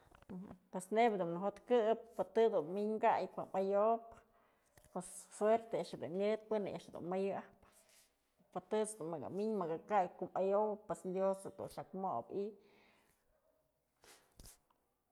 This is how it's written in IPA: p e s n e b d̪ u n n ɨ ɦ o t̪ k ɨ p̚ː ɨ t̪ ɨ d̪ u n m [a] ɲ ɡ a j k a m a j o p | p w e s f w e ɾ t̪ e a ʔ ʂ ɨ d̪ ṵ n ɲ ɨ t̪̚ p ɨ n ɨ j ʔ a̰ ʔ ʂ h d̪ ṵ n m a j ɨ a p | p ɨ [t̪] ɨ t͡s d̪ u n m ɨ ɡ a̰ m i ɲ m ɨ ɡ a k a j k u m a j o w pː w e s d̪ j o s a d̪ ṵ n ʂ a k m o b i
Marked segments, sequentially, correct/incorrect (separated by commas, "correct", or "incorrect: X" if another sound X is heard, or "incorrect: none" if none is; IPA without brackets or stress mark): incorrect: i, correct